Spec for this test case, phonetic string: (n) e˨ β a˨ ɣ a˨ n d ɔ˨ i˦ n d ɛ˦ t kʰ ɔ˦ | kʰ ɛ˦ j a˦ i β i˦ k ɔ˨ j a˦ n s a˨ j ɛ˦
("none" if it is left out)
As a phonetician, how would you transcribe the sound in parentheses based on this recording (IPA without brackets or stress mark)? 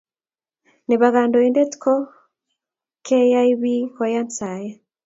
n